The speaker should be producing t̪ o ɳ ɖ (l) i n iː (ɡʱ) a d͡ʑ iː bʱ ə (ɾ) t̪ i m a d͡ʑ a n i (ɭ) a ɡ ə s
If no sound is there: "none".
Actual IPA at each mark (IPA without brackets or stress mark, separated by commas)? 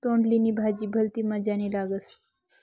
l, bʱ, l, l